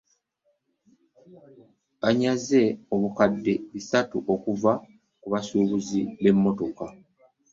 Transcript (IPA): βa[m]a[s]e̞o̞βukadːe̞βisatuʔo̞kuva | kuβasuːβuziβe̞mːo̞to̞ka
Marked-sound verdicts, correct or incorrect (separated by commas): incorrect, incorrect